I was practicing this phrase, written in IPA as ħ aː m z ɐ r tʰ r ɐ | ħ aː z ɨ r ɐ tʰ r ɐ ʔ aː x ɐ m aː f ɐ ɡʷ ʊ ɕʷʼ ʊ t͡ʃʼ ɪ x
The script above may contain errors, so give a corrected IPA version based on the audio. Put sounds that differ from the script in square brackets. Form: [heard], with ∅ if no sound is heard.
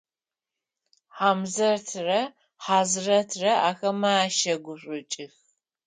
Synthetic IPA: ħ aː m z ɐ r tʰ r ɐ | ħ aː z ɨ r ɐ tʰ r ɐ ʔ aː x ɐ m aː [ʃ] ɐ ɡʷ ʊ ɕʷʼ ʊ t͡ʃʼ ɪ x